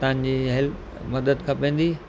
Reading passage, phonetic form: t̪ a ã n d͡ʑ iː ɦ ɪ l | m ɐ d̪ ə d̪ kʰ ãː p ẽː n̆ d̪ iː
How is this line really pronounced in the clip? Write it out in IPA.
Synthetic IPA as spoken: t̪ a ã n d͡ʑ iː ɦ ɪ l | m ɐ d̪ ə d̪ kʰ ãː p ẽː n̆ d̪ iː